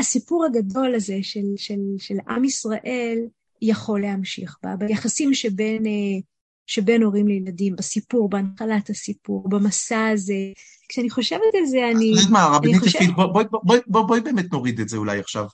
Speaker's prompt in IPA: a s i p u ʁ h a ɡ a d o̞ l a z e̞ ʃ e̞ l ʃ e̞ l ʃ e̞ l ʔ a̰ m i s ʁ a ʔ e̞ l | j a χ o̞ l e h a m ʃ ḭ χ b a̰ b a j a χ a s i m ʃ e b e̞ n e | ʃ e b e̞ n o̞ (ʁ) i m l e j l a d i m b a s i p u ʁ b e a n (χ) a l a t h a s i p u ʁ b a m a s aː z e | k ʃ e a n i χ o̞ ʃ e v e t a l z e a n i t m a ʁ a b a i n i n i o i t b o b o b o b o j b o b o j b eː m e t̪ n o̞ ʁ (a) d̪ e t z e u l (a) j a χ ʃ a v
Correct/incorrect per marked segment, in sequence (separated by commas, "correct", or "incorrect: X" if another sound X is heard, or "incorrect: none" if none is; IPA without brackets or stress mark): correct, correct, incorrect: i, correct